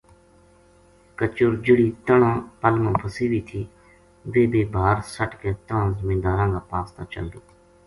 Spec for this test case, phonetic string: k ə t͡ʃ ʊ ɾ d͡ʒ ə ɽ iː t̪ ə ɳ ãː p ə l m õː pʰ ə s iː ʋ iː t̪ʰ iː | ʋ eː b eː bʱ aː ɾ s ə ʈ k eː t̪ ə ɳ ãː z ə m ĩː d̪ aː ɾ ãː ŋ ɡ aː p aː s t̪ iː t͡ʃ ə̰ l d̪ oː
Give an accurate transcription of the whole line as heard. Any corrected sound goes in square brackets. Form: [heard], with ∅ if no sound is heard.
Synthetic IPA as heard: k ə t͡ʃ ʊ ɾ d͡ʒ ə ɽ iː t̪ ə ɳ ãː p ə l m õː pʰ ə s iː ʋ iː t̪ʰ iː | ʋ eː b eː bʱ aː ɾ s ə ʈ k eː t̪ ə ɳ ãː z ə m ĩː d̪ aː ɾ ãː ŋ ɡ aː p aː s t̪ [aː] t͡ʃ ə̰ l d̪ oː